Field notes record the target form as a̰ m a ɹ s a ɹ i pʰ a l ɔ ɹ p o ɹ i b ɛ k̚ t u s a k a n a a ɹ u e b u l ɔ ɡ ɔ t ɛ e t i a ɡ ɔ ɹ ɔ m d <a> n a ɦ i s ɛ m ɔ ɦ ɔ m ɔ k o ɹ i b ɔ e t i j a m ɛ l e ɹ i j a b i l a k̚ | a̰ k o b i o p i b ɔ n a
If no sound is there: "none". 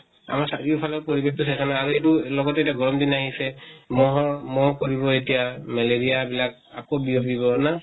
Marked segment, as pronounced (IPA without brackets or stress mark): i